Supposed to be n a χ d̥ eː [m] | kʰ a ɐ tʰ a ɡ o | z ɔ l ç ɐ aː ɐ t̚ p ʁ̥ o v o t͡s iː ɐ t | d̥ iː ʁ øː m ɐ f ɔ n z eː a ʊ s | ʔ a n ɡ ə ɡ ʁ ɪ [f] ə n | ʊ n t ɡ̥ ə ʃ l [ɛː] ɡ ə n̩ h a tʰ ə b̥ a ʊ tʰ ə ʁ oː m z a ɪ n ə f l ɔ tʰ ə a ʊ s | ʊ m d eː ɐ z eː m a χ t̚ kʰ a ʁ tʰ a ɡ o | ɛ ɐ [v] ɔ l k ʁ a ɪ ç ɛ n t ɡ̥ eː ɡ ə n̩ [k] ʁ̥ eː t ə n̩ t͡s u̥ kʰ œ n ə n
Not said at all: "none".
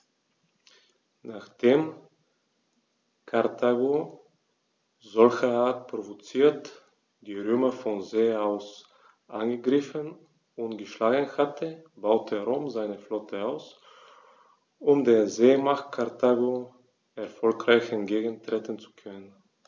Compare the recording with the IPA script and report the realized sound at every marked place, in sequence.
m, f, aː, f, t

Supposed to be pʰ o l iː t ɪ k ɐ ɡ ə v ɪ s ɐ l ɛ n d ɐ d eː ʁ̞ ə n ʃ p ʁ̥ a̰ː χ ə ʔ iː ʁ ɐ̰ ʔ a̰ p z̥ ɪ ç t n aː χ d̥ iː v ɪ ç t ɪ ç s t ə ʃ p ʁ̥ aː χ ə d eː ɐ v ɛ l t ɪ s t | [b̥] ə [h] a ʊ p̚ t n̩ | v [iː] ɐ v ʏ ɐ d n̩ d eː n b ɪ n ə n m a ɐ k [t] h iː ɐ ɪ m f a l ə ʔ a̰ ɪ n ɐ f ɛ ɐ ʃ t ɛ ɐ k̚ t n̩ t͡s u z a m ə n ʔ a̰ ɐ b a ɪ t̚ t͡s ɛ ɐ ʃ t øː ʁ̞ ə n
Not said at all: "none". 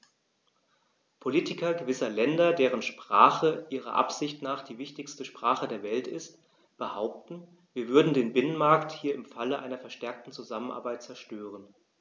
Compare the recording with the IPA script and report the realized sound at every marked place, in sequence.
b̥, h, iː, t

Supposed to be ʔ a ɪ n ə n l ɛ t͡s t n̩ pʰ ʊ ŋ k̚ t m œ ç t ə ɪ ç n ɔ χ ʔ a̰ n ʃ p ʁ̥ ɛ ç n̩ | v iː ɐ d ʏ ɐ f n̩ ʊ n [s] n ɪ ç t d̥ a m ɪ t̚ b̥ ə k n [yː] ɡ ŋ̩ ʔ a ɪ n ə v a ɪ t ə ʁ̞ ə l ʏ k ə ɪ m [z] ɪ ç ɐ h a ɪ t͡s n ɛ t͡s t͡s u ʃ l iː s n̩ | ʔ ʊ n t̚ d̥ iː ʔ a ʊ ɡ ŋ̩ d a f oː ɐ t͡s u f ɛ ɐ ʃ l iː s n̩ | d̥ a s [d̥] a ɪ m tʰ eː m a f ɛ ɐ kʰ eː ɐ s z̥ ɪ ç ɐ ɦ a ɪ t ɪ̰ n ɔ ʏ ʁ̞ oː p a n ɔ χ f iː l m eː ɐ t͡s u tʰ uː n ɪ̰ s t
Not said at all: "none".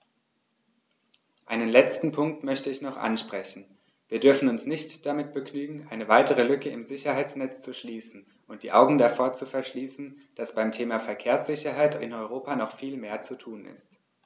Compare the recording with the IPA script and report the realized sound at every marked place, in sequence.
s, yː, z, b̥

